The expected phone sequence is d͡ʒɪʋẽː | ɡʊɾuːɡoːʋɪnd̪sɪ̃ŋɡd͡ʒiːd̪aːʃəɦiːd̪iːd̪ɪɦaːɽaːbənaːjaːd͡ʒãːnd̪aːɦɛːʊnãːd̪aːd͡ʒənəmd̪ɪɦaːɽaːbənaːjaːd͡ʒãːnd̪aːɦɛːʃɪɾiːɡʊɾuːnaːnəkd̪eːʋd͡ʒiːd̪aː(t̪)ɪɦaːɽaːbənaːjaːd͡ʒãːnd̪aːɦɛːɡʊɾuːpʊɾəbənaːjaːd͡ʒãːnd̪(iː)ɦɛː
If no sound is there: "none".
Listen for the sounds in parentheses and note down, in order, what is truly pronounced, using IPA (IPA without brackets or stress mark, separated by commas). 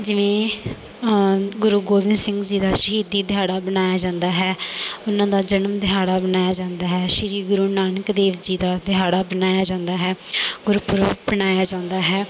d̪, aː